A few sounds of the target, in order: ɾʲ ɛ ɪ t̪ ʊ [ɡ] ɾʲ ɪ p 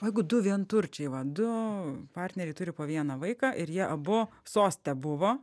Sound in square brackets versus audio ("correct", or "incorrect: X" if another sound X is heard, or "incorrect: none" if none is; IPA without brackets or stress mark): incorrect: none